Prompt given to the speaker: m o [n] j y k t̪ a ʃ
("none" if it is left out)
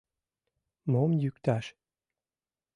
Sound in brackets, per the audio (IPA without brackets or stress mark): m